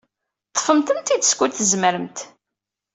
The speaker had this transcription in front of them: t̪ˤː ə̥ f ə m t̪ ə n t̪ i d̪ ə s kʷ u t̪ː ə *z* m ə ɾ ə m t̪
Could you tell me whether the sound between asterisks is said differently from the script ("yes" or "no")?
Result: no